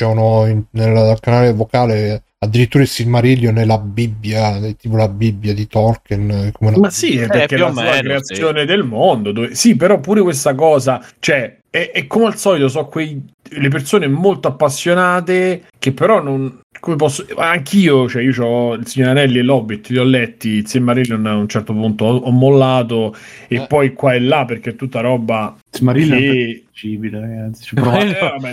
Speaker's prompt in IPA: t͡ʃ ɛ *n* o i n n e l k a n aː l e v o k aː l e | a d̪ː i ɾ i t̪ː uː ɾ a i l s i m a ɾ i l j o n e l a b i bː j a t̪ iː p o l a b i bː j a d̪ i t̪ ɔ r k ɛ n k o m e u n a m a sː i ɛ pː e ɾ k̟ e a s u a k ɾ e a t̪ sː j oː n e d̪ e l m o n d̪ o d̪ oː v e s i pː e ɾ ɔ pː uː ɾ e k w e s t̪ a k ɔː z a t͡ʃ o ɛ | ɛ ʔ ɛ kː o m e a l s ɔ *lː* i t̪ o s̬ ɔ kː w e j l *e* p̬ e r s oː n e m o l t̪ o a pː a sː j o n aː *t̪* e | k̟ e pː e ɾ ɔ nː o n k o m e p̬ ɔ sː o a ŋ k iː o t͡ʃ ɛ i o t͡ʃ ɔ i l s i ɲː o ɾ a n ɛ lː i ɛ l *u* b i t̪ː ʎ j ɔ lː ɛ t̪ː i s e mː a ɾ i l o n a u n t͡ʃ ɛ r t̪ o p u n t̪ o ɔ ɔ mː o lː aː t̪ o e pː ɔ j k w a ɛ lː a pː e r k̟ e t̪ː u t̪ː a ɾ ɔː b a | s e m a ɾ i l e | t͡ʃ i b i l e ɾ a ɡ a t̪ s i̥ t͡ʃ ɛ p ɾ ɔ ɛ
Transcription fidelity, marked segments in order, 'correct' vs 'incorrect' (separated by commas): correct, incorrect, correct, correct, incorrect